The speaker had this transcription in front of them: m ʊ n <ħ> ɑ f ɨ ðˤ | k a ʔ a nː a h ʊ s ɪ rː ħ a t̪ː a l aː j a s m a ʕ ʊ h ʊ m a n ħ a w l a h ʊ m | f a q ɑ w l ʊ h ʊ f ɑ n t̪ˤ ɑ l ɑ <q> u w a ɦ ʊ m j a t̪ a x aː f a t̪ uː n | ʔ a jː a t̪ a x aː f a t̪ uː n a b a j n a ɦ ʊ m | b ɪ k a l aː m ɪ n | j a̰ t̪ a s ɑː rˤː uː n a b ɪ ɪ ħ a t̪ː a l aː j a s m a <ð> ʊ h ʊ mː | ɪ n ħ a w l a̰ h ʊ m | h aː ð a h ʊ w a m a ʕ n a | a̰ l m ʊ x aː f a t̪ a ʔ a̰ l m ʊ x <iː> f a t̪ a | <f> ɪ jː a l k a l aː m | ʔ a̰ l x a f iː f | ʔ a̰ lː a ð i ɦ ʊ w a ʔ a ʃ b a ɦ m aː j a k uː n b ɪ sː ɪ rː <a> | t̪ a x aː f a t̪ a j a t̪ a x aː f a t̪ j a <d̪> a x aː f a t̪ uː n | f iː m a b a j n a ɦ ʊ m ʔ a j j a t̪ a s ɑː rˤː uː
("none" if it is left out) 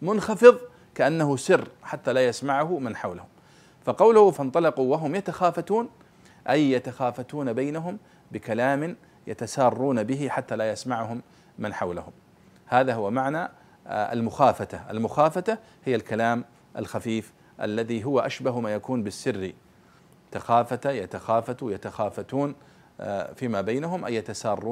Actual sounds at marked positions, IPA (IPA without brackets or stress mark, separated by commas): x, q, ʕ, aː, h, i, t̪